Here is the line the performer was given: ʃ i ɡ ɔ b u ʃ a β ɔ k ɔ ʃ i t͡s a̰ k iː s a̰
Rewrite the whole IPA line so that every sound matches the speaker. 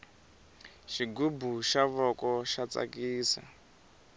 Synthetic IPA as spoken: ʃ i ɡ u b u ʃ a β ɔ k ɔ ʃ a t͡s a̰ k iː s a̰